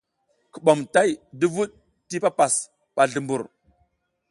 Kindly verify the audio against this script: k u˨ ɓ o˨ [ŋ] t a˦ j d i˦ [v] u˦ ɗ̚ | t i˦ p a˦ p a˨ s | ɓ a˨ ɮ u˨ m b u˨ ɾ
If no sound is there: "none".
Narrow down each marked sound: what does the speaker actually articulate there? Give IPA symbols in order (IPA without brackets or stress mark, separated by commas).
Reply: m, v